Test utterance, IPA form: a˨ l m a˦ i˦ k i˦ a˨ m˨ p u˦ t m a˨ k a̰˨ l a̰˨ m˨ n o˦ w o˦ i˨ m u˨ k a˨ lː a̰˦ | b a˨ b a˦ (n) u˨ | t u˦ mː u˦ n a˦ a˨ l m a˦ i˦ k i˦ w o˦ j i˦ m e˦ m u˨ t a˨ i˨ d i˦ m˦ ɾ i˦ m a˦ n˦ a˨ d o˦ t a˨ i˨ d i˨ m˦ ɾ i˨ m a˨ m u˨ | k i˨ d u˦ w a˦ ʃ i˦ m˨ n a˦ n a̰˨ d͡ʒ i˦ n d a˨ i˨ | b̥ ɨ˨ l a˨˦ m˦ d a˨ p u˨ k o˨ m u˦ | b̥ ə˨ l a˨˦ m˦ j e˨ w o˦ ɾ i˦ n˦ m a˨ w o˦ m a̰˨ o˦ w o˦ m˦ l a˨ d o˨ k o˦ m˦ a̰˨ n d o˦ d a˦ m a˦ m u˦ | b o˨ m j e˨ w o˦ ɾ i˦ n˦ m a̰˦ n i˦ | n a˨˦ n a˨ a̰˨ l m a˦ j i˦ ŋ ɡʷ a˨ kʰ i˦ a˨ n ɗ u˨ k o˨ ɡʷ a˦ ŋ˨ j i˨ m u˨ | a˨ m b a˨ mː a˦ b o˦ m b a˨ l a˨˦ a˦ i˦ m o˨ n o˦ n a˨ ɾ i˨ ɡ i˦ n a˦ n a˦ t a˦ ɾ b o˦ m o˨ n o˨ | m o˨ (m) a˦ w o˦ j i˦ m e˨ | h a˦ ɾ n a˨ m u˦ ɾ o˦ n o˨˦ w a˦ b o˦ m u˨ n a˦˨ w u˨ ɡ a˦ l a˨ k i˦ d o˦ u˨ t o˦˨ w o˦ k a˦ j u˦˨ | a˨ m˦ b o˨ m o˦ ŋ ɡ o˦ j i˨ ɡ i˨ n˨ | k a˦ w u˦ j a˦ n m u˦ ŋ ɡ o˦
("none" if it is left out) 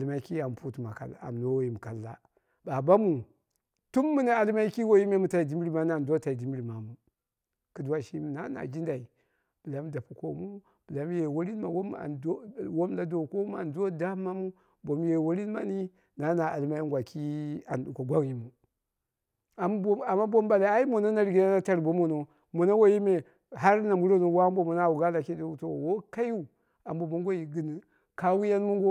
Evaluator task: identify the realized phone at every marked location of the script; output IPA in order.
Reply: m, n

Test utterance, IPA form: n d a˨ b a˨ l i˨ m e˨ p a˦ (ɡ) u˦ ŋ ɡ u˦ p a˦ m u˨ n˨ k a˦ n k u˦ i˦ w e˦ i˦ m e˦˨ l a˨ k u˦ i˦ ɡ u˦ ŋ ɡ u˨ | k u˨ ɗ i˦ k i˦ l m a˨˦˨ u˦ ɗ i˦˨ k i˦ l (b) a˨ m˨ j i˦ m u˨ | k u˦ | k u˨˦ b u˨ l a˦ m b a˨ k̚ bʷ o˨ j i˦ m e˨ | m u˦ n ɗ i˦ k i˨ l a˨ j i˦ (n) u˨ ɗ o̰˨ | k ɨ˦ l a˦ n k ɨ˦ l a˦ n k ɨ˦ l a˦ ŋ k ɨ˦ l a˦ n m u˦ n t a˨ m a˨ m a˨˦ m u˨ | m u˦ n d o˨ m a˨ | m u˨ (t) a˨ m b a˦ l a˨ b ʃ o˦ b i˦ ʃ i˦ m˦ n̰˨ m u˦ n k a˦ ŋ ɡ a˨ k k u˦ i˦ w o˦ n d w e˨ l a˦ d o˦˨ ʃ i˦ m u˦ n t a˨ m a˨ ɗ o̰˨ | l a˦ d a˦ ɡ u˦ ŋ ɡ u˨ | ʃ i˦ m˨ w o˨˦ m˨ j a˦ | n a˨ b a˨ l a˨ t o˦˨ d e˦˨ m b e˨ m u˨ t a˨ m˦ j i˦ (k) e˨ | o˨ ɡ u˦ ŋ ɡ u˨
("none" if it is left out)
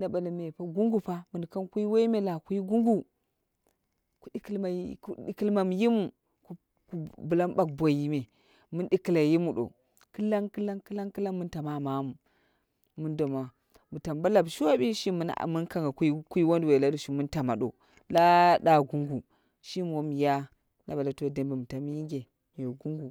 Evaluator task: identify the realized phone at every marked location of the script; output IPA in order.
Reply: ɡ, m, m, t, ɡ

